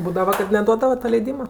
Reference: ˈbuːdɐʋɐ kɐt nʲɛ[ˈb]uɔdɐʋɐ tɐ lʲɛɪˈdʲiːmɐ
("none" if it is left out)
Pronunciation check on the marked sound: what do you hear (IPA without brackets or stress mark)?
d